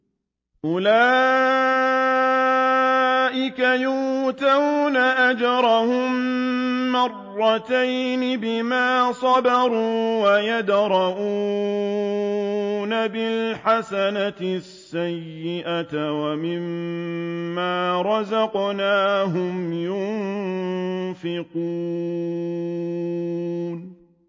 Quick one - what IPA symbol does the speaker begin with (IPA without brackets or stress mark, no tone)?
ʔ